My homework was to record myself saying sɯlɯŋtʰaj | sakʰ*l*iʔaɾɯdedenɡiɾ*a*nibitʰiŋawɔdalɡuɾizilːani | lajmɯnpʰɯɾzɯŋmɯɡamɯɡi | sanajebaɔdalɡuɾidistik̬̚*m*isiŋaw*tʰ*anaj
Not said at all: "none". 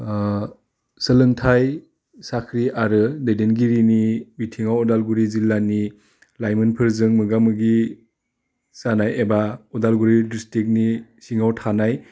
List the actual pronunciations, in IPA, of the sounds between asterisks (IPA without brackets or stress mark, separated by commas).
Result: ɾ, i, n, tʰ